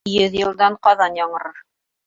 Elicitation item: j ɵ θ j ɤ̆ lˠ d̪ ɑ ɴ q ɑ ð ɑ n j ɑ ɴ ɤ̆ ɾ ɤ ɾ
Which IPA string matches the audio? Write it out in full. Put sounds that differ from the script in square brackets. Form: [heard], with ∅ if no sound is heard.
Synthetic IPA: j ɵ [ð] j ɤ̆ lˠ d̪ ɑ ɴ q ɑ ð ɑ n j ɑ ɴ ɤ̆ ɾ ɤ ɾ

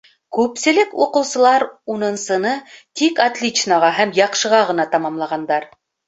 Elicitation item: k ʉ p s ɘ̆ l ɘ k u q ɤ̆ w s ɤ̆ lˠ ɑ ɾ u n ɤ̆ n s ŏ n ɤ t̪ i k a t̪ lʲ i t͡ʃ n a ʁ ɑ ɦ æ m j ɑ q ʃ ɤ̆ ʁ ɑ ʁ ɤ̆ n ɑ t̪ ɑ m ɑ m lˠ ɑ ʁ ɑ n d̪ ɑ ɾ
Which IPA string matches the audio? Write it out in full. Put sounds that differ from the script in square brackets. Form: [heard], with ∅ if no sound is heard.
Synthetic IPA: k ʉ p s ɘ̆ l ɘ k u q ɤ̆ w s ɤ̆ lˠ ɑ ɾ u n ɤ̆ n s [ɤ̆] n ɤ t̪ i k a t̪ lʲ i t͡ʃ n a ʁ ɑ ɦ æ m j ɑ q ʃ ɤ̆ ʁ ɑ ʁ ɤ̆ n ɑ t̪ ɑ m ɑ m lˠ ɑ ʁ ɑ n d̪ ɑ ɾ

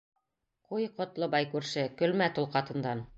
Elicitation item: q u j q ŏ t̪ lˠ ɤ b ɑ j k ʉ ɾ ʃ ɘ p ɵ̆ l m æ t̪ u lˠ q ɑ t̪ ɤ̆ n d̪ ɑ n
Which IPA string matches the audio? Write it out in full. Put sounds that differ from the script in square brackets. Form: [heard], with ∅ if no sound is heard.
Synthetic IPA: q u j q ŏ t̪ lˠ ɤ b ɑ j k ʉ ɾ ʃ ɘ [k] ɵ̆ l m æ t̪ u lˠ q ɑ t̪ ɤ̆ n d̪ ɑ n

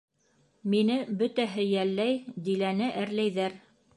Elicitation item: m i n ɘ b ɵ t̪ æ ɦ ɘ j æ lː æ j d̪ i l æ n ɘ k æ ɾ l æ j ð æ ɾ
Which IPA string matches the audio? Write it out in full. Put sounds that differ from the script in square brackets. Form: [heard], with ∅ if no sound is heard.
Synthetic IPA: m i n ɘ b ɵ t̪ æ ɦ ɘ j æ lː æ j d̪ i l æ n ɘ [ʔ] æ ɾ l æ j ð æ ɾ

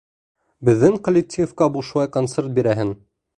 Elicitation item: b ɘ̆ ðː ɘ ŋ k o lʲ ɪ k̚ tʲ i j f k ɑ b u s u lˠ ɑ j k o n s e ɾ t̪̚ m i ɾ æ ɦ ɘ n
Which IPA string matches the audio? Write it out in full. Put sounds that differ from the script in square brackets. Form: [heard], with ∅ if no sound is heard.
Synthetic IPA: b ɘ̆ ðː ɘ ŋ k o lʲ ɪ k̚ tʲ i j f k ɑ b u [ʃ] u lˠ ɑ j k o n s e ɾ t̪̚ [b] i ɾ æ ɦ ɘ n

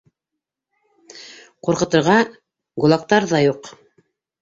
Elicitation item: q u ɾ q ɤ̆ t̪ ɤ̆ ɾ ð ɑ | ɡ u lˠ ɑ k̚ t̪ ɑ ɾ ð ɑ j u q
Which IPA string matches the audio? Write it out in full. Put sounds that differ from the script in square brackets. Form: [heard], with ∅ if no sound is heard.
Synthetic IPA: q u ɾ q ɤ̆ t̪ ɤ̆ ɾ [ʁ] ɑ | ɡ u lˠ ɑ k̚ t̪ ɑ ɾ ð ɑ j u q

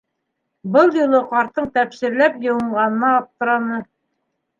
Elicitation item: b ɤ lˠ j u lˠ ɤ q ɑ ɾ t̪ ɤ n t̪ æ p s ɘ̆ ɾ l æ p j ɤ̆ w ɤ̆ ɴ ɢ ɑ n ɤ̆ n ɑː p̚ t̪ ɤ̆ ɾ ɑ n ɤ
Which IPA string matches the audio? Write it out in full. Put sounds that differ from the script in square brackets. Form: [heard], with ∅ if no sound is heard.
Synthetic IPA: b ɤ lˠ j u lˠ ɤ q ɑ ɾ t̪ ɤ [ɴ] t̪ æ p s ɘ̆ ɾ l æ p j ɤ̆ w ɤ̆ ɴ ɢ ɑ n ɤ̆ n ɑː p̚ t̪ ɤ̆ ɾ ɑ n ɤ

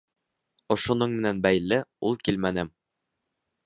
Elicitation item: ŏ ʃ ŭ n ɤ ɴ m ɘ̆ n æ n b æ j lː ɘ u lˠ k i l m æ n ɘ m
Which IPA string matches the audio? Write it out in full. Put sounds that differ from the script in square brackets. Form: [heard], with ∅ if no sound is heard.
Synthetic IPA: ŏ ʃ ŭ n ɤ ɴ m ɘ̆ n æ n b æ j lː ɘ u lˠ k i l m æ n ɘ m

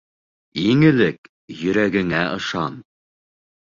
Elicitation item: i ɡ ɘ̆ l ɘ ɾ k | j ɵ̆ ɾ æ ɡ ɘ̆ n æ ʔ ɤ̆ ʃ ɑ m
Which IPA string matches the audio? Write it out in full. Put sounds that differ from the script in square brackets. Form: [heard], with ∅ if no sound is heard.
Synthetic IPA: i [ŋ] ɘ̆ l ɘ [∅] k | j ɵ̆ ɾ æ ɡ ɘ̆ [ŋ] æ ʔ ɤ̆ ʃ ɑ [n]

